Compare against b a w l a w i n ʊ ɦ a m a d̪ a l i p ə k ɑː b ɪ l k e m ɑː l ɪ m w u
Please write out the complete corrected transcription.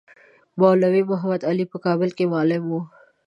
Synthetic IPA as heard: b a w l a w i m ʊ ɦ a m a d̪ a l i p ə k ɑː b ɪ l k e m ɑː l ɪ m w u